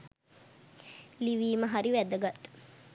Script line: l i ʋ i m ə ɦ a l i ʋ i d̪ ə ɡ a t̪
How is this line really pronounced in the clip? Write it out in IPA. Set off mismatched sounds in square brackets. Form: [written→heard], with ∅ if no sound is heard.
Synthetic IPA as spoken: l i ʋ [i→iː] m ə ɦ a [l→ɾ] i ʋ [i→æ] d̪ ə ɡ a t̪